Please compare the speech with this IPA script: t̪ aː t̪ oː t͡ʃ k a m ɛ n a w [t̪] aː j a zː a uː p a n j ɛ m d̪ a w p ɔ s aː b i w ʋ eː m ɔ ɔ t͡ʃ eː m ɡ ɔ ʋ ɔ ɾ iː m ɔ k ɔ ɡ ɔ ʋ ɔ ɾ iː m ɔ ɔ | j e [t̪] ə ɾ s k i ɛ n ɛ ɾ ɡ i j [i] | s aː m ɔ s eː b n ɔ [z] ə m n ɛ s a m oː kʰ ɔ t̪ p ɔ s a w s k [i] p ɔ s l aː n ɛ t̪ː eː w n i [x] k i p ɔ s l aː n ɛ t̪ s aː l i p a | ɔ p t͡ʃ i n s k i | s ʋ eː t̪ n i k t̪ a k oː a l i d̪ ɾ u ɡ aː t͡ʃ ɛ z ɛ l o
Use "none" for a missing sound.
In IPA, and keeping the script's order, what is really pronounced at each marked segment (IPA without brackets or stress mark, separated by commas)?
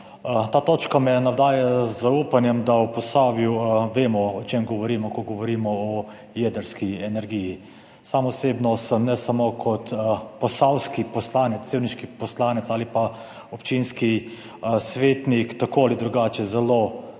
d̪, d̪, i, s, i, ʃ